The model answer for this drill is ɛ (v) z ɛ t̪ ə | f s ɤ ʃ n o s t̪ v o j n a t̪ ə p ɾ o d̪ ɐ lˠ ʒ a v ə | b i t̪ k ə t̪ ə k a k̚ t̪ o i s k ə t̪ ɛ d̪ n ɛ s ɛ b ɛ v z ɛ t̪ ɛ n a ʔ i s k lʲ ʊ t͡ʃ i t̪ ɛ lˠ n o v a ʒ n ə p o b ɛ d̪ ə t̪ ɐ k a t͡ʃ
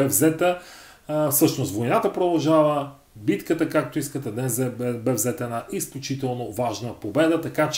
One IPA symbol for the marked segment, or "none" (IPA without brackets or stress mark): v